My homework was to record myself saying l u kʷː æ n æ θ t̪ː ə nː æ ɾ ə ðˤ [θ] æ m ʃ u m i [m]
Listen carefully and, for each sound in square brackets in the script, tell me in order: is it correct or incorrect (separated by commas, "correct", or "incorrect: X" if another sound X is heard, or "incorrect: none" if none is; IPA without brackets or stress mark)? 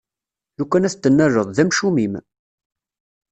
incorrect: ð, correct